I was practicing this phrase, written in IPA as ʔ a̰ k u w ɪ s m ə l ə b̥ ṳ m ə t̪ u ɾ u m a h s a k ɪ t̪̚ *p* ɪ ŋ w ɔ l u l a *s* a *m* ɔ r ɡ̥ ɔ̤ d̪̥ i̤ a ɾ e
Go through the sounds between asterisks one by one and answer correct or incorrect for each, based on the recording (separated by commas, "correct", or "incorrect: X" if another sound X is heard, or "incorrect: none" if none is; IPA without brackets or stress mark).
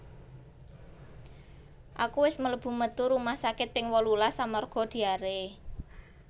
correct, correct, correct